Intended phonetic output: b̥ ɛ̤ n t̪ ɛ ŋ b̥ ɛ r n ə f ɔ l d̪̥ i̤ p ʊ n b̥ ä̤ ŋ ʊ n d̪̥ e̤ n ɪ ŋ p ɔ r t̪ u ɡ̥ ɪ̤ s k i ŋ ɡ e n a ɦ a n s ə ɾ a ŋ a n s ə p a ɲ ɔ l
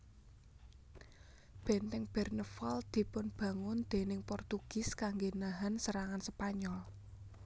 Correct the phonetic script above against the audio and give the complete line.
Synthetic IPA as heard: b̥ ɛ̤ n t̪ ɛ ŋ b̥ ɛ r n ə f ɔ l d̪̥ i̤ p ʊ n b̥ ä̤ ŋ ʊ n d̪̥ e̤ n ɪ ŋ p ɔ r t̪ u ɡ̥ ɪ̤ s k a ŋ ɡ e n a ɦ a n s ə ɾ a ŋ a n s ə p a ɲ ɔ l